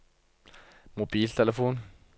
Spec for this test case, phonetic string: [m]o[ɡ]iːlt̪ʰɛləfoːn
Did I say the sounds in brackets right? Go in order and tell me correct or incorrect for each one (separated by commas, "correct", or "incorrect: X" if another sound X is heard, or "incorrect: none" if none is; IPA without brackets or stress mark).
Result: correct, incorrect: b